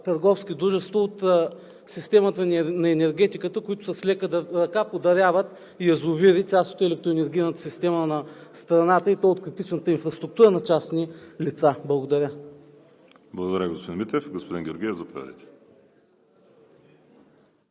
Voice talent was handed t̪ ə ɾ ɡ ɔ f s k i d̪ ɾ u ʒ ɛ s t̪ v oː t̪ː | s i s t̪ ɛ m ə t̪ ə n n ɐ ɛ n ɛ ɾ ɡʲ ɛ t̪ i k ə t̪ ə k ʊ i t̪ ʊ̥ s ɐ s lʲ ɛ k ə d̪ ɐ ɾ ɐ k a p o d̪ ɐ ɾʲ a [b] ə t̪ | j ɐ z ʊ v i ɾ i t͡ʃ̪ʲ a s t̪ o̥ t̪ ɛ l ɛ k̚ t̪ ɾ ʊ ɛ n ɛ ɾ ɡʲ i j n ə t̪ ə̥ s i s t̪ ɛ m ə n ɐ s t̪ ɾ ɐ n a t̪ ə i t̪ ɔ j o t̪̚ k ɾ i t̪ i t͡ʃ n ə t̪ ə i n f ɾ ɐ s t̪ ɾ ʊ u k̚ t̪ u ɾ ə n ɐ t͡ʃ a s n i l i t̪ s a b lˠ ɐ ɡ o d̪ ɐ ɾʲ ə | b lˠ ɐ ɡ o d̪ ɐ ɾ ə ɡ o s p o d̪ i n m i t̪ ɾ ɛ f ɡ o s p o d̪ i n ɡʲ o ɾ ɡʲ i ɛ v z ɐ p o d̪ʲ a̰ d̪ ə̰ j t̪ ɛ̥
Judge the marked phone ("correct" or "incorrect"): incorrect